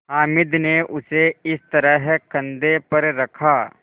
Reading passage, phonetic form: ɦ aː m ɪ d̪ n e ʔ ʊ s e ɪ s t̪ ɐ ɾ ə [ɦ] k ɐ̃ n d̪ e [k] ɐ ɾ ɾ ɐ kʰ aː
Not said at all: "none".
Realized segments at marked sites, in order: ɦ, p

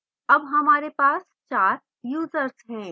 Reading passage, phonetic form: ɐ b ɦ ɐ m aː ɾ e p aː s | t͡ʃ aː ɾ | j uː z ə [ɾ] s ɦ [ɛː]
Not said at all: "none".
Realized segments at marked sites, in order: ɾ, ɛ̃ː

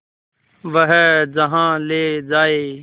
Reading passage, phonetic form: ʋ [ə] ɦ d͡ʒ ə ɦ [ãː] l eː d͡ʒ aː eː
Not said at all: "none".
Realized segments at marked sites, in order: ə, ãː

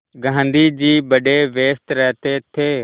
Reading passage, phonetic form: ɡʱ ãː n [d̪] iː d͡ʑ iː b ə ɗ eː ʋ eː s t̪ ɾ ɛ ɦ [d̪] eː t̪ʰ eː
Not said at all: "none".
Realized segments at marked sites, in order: d̪, t̪

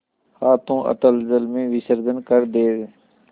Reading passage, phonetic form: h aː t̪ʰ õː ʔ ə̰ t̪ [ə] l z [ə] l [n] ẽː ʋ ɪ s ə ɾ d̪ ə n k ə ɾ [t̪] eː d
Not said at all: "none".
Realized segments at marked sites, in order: ə, ə, m, d̪

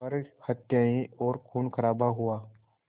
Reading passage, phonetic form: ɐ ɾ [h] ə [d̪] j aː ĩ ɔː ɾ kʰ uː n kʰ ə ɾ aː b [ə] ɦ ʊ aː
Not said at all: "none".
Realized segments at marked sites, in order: h, t̪, a

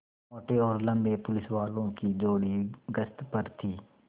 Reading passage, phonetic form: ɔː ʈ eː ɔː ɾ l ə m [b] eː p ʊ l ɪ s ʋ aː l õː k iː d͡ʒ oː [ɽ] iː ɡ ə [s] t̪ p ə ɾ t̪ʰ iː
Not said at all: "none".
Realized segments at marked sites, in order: b, ɽ, s

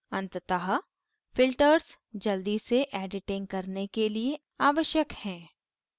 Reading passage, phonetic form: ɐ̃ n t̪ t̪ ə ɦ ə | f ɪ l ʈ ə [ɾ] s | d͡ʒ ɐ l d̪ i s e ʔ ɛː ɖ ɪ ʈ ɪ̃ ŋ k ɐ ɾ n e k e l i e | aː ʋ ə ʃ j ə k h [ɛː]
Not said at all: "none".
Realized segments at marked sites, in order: ɾ, ɛ̃ː

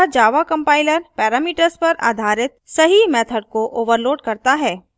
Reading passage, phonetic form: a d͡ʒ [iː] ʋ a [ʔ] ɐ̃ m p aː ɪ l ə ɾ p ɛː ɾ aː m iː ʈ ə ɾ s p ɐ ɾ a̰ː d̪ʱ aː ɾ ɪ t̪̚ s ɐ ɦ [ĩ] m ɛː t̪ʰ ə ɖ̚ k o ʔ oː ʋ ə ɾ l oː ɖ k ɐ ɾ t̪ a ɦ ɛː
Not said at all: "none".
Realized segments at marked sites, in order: aː, k, i

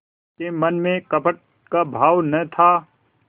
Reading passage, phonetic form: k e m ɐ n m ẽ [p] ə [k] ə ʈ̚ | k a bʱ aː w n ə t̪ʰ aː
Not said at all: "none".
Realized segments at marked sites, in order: k, p

